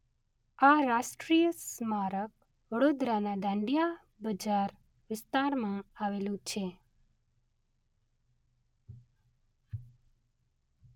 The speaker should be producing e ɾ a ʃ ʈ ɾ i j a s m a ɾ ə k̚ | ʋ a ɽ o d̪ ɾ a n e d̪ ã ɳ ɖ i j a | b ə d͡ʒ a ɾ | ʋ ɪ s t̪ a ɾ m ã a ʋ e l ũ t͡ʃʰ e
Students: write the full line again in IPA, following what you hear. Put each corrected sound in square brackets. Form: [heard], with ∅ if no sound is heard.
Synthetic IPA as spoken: [a] ɾ a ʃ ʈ ɾ i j [ə] s m a ɾ ə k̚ | ʋ [ə] ɽ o d̪ ɾ a n [a] d̪ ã ɳ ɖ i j a | b ə d͡ʒ a ɾ | ʋ ɪ s t̪ a ɾ m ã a ʋ e l ũ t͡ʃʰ e